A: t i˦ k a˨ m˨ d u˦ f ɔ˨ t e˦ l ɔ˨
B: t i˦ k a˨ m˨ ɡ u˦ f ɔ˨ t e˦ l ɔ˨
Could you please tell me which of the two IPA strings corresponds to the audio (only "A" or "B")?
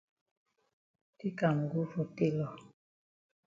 B